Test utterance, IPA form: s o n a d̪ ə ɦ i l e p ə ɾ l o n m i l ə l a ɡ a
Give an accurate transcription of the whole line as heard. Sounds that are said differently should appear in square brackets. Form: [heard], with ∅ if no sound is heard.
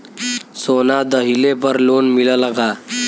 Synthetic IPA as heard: s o n a d̪ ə ɦ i l e p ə ɾ l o n m i l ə l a ɡ a